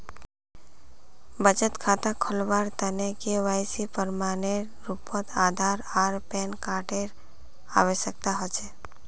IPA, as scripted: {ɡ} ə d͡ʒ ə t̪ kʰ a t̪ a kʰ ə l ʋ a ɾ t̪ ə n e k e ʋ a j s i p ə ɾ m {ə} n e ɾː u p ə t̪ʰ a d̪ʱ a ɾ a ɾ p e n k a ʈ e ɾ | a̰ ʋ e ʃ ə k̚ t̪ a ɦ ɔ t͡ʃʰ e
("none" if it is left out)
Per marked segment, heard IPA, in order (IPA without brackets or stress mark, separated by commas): b, a